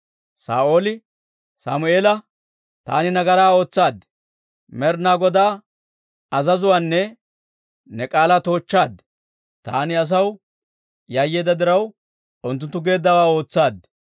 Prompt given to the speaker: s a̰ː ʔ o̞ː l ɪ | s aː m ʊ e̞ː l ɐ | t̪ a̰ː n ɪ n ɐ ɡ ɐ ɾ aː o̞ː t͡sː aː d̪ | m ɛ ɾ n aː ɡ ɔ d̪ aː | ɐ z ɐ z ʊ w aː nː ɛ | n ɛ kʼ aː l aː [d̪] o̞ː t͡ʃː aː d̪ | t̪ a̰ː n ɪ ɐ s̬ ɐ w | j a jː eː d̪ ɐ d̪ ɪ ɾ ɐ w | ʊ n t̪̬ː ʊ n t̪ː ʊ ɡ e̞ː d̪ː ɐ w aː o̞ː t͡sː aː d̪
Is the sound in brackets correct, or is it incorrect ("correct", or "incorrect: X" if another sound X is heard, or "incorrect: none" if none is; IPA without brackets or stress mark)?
incorrect: t̪